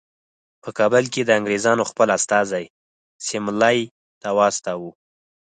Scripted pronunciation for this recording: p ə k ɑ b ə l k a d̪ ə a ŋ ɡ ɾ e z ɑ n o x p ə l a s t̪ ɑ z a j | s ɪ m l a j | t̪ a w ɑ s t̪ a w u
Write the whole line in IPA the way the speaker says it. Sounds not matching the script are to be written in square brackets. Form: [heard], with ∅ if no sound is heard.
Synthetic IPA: p ə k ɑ b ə l k [e] d̪ ə a ŋ ɡ ɾ e z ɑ n o x p ə l a s t̪ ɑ z a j | s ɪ m l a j | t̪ a w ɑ s t̪ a w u